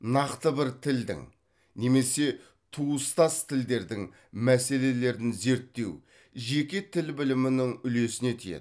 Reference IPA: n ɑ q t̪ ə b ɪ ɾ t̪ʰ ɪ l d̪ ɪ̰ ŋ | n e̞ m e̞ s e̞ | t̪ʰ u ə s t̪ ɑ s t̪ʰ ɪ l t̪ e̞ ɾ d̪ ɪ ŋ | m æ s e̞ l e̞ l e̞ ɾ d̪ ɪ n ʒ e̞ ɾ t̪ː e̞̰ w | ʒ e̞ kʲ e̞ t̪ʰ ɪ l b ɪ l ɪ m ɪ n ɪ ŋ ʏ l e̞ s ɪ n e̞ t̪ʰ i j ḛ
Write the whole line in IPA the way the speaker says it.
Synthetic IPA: n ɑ q t̪ ə b ɪ ɾ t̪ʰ ɪ l d̪ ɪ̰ ŋ | n e̞ m e̞ s e̞ | t̪ʰ u ə s t̪ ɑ s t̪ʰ ɪ l d̪ e̞ ɾ d̪ ɪ ŋ | m æ s e̞ l e̞ l e̞ ɾ d̪ ɪ n z e̞ ɾ t̪ː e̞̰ w | ʒ e̞ kʲ e̞ t̪ʰ ɪ l b ɪ l ɪ m ɪ n ɪ ŋ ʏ l e̞ s ɪ n e̞ t̪ʰ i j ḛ